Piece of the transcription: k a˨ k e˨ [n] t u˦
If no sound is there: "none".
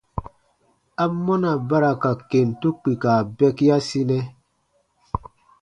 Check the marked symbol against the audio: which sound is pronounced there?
n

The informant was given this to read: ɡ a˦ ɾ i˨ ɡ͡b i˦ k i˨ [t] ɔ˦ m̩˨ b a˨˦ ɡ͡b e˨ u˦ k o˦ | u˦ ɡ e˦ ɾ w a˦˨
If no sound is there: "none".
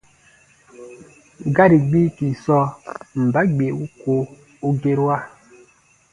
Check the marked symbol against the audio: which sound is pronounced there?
s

